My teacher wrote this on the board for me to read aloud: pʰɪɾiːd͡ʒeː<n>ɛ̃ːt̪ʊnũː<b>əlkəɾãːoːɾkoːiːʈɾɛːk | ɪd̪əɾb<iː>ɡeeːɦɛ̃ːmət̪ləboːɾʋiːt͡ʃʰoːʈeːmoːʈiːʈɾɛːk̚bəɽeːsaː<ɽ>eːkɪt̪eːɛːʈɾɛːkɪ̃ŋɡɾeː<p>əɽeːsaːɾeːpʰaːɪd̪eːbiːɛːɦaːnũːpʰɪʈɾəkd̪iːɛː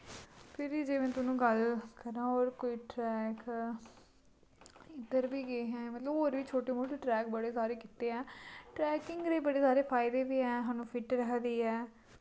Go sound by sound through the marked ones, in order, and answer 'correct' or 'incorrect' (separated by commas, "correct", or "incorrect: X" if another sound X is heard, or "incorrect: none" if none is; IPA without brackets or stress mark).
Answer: incorrect: m, incorrect: ɡ, correct, incorrect: ɾ, incorrect: b